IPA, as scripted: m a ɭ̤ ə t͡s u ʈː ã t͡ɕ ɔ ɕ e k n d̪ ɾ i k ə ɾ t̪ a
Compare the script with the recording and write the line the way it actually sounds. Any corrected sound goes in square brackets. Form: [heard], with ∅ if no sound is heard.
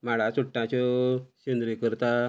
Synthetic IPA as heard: m a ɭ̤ [a] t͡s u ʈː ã t͡ɕ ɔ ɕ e [∅] n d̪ ɾ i k ə ɾ t̪ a